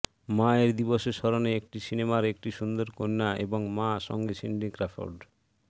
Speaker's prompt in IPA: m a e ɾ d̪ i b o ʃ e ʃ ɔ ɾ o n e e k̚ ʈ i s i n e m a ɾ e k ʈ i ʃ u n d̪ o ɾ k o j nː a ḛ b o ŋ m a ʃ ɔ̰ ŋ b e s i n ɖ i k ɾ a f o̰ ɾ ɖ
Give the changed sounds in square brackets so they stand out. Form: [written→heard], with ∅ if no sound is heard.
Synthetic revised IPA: m a e ɾ d̪ i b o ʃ e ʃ ɔ ɾ o n e e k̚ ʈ i s i n e m a ɾ e k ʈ i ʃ u n d̪ o ɾ k o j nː a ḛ b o ŋ m a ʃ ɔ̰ ŋ [b→ɡ] e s i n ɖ i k ɾ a f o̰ ɾ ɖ